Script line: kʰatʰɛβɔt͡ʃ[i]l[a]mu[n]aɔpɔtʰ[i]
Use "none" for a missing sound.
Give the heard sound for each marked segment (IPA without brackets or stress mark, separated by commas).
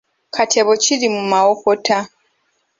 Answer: i, i, m, a